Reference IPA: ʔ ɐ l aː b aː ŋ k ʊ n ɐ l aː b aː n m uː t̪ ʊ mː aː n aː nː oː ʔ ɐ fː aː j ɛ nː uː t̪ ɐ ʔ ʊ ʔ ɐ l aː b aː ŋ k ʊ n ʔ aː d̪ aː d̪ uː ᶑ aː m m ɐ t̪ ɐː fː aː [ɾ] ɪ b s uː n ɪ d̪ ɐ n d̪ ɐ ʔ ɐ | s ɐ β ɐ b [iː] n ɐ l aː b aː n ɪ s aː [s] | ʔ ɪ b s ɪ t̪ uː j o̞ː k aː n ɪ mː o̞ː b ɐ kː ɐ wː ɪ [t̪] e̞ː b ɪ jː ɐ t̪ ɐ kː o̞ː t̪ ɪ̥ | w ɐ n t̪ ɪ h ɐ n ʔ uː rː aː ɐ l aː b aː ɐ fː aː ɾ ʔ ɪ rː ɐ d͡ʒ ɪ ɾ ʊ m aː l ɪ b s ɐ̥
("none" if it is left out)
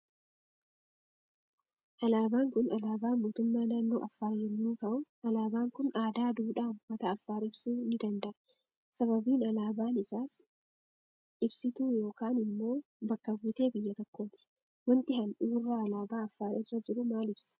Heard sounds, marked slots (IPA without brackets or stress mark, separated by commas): ɾ, iː, s, t̪